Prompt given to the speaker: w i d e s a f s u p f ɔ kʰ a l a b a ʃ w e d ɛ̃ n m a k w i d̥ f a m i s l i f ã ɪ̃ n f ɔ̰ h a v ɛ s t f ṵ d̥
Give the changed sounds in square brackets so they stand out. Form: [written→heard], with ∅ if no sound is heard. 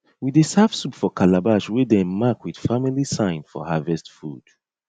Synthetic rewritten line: w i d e s a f s u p f ɔ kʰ a l a b a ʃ w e d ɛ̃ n m a k w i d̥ f a m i [s→∅] l i [f→s] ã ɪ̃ n f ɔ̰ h a v ɛ s t f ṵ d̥